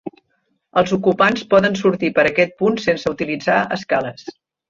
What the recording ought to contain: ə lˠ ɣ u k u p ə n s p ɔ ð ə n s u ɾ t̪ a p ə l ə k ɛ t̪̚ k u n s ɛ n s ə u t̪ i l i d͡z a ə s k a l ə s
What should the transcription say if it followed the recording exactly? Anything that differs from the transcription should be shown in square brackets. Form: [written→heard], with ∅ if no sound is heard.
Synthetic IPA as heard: ə lˠ [ɣ→z] u k u p [ə→a] n s p ɔ ð ə n s u ɾ t̪ [a→i] p ə [l→ɾ] ə k ɛ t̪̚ [k→p] u n s [ɛ→e] n s ə u t̪ i l i d͡z a ə s k a l ə s